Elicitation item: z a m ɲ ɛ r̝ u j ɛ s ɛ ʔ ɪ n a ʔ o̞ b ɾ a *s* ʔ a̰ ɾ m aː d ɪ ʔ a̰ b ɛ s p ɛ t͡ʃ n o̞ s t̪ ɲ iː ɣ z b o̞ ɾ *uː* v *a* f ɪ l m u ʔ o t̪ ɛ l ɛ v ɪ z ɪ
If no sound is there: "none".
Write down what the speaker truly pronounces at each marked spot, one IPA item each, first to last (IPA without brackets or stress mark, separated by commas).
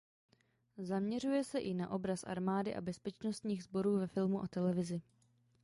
s, uː, ɛ